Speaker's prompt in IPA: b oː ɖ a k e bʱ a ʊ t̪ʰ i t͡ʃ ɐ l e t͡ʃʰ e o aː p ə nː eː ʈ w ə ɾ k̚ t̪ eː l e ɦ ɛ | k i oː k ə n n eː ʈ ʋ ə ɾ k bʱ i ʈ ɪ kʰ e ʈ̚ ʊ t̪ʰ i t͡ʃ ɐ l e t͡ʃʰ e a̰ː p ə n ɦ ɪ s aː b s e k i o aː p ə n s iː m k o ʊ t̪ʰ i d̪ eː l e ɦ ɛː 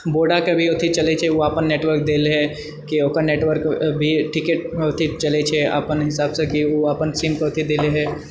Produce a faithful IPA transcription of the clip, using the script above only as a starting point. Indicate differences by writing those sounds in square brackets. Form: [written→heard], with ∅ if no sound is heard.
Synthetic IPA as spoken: b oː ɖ a k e bʱ [a→i] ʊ t̪ʰ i t͡ʃ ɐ l e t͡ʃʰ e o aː p ə nː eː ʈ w ə ɾ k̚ [t̪→d̪] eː l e ɦ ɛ | k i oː k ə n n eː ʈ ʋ ə ɾ k bʱ i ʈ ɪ [kʰ→k] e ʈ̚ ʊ t̪ʰ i t͡ʃ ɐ l e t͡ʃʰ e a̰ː p ə n ɦ ɪ s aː b s e k i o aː p ə n s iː m k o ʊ t̪ʰ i d̪ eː l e ɦ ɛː

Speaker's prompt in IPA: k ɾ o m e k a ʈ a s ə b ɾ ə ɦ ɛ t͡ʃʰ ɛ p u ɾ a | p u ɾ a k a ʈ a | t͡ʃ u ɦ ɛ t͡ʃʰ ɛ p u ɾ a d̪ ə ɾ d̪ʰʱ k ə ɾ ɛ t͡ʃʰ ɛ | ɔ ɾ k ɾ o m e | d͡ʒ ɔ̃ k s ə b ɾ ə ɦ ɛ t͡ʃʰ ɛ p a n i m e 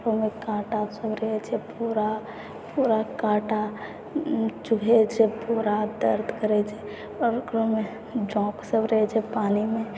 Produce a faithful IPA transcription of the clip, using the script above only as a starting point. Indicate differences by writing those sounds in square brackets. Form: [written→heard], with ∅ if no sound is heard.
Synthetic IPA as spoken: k ɾ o m e k a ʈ a s ə b ɾ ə ɦ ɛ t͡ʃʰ ɛ p u ɾ a | p u ɾ a k a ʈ a | t͡ʃ u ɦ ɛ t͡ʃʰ ɛ p u ɾ a d̪ ə ɾ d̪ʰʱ k ə ɾ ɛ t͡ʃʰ ɛ | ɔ ɾ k ɾ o m e | d͡ʒ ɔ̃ k s ə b ɾ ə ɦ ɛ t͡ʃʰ ɛ p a n i m e

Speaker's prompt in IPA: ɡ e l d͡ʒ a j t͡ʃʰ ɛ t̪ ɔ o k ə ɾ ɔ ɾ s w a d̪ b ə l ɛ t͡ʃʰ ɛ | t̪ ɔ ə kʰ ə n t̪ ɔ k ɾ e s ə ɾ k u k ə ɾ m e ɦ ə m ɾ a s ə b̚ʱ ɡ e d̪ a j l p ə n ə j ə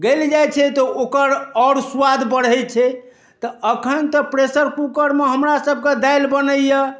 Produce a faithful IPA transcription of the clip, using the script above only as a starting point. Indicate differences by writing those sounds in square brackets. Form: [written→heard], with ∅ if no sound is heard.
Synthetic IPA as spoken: ɡ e l d͡ʒ a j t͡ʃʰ ɛ t̪ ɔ o k ə ɾ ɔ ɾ s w a d̪ b ə [l→ɽ] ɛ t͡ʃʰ ɛ | t̪ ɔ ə kʰ ə n t̪ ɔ [k→p] ɾ e s ə ɾ k u k ə ɾ m e ɦ ə m ɾ a s ə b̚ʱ [ɡ→k] e d̪ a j l [p→b] ə n ə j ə

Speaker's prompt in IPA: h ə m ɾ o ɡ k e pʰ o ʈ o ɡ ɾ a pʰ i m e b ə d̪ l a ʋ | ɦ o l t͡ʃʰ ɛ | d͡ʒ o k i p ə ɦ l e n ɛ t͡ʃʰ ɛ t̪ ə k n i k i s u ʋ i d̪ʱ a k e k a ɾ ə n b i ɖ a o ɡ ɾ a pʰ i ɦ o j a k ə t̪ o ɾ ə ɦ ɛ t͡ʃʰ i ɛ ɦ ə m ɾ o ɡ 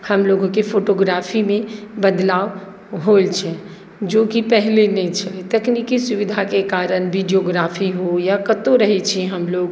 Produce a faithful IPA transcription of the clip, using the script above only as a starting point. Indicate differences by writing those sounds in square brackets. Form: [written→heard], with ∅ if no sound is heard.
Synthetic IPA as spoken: h ə m [ɾ→l] o ɡ k e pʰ o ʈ o ɡ ɾ a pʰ i m e b ə d̪ l a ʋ | ɦ o l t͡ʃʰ ɛ | d͡ʒ o k i p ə ɦ l e n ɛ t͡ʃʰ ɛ t̪ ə k n i k i s u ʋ i d̪ʱ a k e k a ɾ ə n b i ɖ [a→i] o ɡ ɾ a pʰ i ɦ o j a k ə t̪ o ɾ ə ɦ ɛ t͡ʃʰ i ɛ ɦ ə m [ɾ→l] o ɡ

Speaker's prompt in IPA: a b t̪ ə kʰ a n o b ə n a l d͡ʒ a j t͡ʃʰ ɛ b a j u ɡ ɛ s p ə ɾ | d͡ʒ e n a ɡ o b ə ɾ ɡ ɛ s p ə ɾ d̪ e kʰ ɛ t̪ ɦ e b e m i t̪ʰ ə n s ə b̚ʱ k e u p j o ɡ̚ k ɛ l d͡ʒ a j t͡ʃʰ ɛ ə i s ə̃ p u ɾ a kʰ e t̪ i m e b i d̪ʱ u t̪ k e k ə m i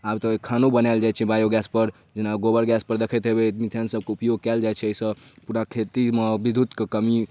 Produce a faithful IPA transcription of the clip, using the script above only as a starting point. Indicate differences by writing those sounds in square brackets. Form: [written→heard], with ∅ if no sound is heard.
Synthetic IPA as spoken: a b t̪ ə kʰ a n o b ə n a l d͡ʒ a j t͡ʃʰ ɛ b a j [u→o] ɡ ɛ s p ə ɾ | d͡ʒ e n a ɡ o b ə ɾ ɡ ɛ s p ə ɾ d̪ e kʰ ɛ t̪ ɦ e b e m i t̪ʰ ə n s ə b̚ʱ k e u p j o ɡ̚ k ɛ l d͡ʒ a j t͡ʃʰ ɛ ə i s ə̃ p u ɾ a kʰ e t̪ i m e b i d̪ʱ u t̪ k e k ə m i

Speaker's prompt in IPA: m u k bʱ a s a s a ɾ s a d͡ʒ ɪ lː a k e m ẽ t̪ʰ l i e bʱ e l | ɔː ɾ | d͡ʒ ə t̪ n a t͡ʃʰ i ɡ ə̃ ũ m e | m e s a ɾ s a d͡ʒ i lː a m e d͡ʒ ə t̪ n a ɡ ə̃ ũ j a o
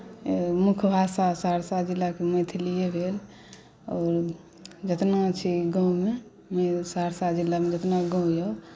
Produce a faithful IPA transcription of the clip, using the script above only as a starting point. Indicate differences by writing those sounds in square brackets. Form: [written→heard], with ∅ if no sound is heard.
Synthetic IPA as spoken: m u [k→kʰ] bʱ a s a s a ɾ s a d͡ʒ [ɪ→i] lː a k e m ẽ t̪ʰ l i e bʱ e l | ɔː ɾ | d͡ʒ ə t̪ n a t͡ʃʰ i ɡ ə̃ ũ m e | m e s a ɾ s a d͡ʒ i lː a m e d͡ʒ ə t̪ n a ɡ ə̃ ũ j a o

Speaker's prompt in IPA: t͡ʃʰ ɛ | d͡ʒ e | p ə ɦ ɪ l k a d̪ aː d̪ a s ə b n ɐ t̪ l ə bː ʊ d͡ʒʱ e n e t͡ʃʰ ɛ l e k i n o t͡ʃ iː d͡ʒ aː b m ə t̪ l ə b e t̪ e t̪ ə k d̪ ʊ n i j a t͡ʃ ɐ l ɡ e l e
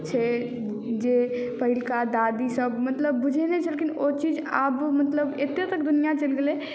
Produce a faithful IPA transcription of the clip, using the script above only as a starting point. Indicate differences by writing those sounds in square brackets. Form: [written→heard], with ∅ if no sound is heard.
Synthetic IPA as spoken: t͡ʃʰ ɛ | d͡ʒ e | p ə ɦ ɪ l k a d̪ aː d̪ [a→i] s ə b [n→m] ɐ t̪ l ə bː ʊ d͡ʒʱ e n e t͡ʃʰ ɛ l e k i n o t͡ʃ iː d͡ʒ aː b m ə t̪ l ə b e t̪ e t̪ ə k d̪ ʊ n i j a t͡ʃ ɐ l ɡ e l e

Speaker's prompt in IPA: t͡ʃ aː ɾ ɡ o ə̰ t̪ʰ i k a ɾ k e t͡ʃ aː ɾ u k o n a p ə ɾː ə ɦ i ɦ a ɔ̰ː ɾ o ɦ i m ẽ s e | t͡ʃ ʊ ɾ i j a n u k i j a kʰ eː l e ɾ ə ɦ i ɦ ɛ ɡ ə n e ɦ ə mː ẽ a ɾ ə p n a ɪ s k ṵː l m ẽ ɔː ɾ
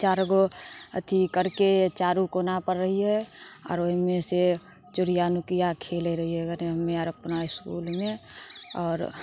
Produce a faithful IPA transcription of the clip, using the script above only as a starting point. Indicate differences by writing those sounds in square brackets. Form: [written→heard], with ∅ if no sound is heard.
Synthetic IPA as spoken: t͡ʃ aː ɾ ɡ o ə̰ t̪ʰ i k [a→ə] ɾ k e t͡ʃ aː ɾ u k o n a p ə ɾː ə ɦ i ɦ [a→ɛ] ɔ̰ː ɾ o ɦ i m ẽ s e | t͡ʃ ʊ ɾ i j a n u k i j a kʰ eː l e ɾ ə ɦ i ɦ ɛ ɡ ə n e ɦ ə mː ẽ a ɾ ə p n a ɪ s k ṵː l m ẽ ɔː ɾ

